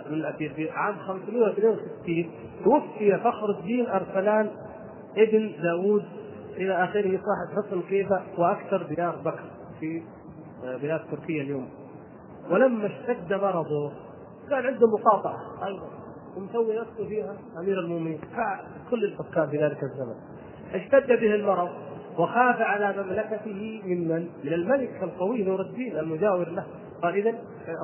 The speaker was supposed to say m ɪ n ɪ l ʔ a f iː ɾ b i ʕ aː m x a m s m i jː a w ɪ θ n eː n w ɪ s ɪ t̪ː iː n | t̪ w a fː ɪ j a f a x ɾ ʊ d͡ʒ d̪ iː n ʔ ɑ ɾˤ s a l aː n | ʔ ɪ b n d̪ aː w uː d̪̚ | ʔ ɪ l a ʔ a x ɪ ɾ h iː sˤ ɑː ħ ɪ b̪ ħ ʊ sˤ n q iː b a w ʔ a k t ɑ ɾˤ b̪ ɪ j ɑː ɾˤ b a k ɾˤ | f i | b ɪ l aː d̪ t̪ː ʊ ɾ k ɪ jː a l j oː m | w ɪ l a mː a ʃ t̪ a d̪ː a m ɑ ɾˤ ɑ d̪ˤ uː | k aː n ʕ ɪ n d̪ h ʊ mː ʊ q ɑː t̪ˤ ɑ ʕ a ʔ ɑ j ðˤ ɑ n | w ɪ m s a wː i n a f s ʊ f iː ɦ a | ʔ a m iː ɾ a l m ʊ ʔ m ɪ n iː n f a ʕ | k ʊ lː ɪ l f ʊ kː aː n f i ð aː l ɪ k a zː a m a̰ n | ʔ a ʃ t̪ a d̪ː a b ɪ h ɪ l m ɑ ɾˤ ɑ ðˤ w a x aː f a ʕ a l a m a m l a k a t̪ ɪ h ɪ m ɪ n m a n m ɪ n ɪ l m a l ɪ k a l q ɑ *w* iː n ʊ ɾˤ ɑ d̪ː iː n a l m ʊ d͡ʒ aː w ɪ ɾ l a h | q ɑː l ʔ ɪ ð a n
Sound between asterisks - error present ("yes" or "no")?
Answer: no